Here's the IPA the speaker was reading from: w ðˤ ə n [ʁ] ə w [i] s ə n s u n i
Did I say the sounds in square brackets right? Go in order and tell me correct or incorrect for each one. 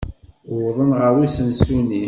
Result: correct, correct

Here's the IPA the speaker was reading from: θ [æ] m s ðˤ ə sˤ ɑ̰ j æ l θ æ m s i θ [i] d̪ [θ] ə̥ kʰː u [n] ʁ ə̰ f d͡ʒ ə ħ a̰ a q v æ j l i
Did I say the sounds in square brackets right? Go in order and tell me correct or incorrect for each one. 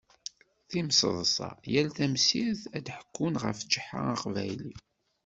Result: incorrect: i, incorrect: æ, incorrect: ħ, correct

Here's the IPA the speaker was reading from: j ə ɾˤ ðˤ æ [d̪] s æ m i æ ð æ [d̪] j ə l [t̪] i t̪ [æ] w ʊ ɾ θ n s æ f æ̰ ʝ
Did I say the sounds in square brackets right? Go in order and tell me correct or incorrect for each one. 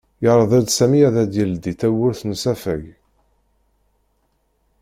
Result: correct, correct, incorrect: d̪, correct

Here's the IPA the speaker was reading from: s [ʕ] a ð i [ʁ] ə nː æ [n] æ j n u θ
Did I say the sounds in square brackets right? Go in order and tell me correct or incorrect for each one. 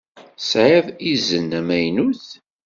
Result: correct, incorrect: z, incorrect: m

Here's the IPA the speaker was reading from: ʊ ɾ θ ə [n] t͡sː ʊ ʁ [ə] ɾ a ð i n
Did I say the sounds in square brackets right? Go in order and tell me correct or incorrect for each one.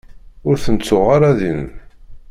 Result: correct, incorrect: a

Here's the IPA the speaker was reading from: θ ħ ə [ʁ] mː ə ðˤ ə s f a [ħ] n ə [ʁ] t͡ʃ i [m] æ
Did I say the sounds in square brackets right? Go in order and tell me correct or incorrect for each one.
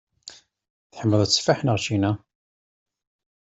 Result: incorrect: none, correct, correct, incorrect: n

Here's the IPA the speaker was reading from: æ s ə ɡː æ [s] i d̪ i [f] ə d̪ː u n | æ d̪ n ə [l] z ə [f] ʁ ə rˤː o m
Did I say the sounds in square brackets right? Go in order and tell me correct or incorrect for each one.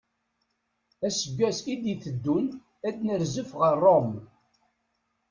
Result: correct, incorrect: θ, incorrect: ɾ, correct

